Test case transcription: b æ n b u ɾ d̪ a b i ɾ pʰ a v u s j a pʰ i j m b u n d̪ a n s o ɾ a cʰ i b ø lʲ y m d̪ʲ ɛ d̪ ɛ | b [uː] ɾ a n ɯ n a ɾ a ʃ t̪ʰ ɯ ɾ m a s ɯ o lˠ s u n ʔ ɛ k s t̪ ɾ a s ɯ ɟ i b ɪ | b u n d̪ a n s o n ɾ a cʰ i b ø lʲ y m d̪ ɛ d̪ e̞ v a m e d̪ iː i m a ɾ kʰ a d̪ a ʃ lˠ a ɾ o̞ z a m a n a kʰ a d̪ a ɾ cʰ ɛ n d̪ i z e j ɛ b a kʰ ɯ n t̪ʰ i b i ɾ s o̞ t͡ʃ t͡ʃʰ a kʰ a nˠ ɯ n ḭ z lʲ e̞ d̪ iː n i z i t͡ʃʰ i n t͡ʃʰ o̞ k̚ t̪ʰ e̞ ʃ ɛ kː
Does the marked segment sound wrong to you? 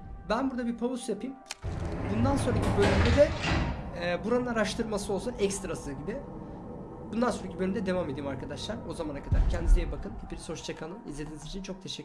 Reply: yes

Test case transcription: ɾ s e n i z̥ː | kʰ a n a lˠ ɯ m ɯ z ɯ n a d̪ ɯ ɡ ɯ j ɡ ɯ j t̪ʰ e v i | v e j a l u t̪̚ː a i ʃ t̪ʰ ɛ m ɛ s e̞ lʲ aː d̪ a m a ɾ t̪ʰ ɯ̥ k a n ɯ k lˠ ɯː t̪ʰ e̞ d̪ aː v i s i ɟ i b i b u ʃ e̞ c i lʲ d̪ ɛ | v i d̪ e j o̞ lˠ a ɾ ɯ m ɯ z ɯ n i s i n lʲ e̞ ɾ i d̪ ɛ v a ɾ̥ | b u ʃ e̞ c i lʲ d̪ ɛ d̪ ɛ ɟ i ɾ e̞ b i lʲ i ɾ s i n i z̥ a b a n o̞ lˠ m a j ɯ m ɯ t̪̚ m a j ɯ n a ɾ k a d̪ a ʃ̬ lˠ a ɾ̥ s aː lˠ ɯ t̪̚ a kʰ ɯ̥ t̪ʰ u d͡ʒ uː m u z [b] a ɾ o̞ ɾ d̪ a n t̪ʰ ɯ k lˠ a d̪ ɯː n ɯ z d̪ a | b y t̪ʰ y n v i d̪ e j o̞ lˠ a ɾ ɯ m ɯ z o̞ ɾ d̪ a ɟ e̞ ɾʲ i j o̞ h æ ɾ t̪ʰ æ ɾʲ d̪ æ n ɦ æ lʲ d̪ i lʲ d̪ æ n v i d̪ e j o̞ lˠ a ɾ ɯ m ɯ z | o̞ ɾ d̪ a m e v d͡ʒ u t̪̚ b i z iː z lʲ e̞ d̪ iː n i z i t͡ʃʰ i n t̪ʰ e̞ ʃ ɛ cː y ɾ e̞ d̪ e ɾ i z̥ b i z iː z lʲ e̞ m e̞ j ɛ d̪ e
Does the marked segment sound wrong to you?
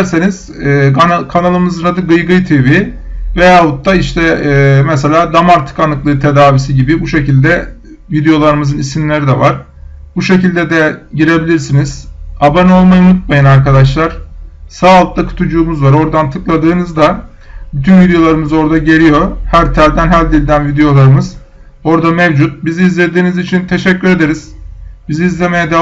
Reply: yes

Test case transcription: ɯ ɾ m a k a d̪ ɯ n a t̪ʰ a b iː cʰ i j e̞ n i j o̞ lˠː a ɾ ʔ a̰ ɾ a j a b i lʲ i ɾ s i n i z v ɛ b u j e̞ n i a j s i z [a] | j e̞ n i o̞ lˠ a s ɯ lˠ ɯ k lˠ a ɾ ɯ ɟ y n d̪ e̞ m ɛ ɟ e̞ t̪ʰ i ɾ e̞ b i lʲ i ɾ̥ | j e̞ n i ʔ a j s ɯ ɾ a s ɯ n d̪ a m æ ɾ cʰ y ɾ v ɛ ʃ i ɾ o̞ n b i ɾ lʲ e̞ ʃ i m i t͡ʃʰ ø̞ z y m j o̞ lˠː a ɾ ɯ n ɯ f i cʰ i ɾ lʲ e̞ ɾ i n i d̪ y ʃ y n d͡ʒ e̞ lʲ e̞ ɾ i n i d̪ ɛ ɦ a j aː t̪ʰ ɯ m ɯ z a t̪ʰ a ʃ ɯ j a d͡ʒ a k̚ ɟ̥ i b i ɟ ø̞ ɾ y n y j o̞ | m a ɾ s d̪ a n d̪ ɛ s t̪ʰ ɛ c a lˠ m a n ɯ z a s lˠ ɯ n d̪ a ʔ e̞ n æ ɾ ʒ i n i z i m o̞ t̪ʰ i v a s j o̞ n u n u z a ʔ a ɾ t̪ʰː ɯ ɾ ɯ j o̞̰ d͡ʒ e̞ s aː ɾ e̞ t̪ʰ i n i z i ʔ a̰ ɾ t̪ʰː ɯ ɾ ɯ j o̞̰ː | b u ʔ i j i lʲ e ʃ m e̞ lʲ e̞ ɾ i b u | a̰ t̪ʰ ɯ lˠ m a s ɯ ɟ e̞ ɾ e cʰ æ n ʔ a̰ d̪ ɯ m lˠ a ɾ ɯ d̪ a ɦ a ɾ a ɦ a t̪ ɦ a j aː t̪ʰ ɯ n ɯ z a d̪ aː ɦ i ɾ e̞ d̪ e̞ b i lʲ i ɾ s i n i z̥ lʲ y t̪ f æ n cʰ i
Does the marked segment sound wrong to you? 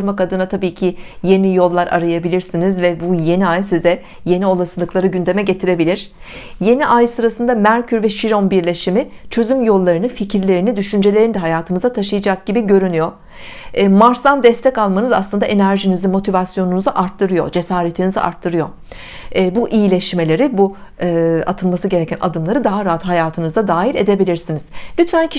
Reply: yes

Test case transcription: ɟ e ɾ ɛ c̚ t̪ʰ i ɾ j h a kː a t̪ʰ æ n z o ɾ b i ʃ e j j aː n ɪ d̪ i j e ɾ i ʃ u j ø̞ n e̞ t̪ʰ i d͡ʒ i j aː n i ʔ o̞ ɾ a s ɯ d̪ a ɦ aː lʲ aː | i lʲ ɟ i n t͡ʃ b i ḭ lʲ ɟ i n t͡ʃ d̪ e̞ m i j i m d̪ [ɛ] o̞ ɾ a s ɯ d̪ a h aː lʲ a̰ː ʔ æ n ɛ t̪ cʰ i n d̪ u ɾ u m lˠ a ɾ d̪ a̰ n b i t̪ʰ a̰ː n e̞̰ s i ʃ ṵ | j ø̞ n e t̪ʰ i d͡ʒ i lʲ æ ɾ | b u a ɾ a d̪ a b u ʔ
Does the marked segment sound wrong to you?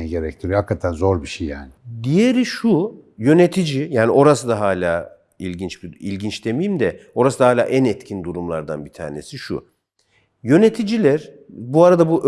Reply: no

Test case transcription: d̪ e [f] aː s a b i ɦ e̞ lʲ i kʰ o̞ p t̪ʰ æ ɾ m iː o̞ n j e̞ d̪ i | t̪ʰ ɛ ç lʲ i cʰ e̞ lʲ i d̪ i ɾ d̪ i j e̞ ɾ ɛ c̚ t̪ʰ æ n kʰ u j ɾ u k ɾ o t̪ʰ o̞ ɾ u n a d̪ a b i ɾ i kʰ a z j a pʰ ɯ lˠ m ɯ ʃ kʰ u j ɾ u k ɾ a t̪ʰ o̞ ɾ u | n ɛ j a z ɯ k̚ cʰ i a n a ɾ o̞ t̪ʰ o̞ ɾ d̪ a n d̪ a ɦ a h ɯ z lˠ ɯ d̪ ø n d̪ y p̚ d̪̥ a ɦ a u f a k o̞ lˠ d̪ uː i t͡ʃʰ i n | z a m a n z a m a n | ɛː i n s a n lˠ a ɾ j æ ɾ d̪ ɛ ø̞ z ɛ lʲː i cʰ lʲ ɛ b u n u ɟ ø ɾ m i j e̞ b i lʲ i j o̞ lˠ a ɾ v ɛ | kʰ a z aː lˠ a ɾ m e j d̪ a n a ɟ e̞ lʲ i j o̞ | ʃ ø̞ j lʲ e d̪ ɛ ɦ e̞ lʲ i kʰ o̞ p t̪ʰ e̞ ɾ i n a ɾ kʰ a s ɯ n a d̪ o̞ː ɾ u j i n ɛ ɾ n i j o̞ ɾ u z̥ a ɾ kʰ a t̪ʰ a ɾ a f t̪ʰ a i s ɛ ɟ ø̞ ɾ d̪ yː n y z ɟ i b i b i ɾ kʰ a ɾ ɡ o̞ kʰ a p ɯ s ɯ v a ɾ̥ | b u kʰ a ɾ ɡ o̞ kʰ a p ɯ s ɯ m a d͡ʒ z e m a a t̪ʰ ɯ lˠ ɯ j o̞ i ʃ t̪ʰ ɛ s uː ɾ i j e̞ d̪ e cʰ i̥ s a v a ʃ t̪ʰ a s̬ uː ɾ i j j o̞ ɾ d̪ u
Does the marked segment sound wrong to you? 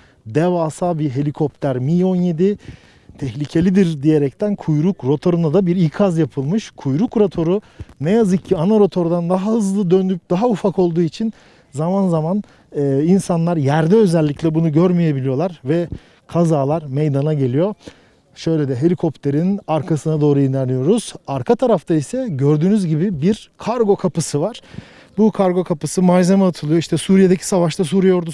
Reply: yes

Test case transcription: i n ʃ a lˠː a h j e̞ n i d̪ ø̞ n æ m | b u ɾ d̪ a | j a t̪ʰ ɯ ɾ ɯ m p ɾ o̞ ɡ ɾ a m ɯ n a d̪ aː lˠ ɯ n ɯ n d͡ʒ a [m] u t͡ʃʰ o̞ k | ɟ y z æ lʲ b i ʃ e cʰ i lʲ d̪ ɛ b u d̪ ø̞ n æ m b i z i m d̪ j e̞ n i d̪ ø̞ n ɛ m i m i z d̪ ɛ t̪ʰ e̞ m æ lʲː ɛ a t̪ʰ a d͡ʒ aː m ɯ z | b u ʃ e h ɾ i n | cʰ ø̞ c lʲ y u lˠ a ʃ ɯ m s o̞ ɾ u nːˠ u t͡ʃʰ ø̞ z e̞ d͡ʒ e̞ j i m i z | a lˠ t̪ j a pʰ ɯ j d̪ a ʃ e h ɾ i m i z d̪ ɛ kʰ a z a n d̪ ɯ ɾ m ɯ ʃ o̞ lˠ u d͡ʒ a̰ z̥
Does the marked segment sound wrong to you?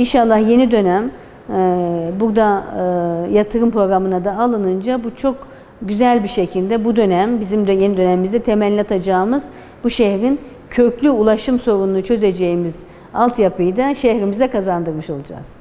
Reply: yes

